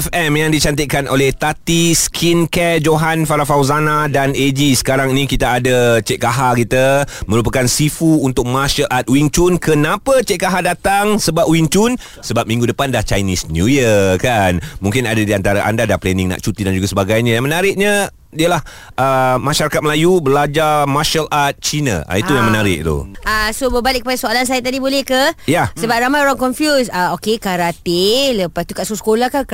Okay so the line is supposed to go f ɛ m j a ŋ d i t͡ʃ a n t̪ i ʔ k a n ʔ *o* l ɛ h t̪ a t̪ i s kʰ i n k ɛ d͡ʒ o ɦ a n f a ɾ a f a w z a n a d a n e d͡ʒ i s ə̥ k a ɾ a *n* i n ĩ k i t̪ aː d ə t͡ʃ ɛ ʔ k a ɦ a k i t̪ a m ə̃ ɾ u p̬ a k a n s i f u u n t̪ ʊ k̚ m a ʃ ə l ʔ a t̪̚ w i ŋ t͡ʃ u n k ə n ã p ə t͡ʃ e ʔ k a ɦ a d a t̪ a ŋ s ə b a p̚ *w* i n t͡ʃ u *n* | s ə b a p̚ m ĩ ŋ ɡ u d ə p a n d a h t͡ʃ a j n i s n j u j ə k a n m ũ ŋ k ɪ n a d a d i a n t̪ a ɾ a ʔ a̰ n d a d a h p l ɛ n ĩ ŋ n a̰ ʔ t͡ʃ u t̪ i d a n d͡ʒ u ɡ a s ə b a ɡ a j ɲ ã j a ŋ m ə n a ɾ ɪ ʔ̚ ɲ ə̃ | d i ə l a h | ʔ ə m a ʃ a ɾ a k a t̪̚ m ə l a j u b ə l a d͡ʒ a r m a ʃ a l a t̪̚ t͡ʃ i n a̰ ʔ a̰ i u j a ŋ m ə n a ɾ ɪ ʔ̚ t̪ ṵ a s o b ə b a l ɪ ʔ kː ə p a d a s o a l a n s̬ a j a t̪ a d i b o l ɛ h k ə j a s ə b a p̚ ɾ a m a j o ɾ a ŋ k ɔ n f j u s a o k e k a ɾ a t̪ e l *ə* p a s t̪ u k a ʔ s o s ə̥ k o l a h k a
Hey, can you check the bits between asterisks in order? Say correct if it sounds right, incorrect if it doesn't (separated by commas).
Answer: correct, incorrect, correct, correct, correct